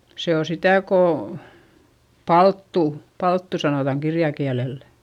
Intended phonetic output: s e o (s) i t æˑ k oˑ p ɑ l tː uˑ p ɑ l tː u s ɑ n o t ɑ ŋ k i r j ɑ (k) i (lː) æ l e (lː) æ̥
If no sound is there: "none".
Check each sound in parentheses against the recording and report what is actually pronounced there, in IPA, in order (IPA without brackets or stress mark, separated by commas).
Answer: s, k, none, lː